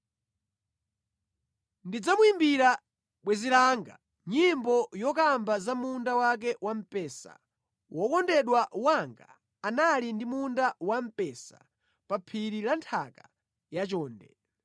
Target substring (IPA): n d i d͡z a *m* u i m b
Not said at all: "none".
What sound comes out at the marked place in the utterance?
m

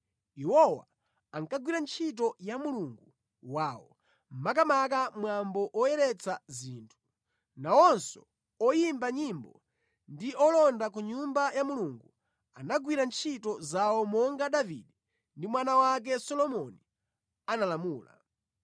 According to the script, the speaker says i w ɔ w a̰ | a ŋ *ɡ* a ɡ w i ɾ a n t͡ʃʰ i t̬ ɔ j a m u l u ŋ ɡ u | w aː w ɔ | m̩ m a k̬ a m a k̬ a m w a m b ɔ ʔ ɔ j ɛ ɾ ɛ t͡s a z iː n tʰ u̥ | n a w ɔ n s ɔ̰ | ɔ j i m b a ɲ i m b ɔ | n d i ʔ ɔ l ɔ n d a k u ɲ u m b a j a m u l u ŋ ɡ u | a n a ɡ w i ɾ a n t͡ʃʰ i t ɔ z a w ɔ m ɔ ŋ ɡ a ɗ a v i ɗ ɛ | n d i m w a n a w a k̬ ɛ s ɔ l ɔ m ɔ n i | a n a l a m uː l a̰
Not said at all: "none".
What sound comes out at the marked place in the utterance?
k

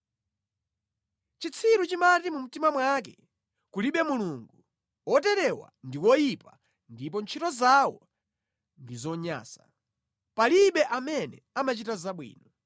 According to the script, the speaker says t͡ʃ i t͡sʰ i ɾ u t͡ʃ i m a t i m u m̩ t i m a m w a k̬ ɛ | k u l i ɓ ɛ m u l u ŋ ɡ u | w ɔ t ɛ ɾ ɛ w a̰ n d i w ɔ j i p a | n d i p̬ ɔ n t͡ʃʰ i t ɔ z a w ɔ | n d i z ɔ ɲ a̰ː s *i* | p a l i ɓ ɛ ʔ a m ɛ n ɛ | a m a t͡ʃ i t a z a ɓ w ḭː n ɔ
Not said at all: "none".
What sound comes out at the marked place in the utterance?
a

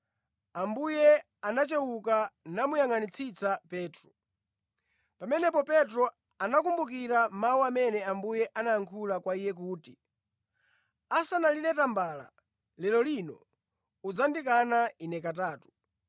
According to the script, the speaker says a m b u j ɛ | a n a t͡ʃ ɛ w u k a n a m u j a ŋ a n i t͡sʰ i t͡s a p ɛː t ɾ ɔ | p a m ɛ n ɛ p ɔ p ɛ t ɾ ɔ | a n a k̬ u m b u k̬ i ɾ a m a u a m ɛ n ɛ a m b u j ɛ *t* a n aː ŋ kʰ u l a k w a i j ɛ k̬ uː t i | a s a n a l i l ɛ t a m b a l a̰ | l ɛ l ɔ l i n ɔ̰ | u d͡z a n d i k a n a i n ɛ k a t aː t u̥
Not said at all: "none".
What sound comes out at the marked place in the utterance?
ʔ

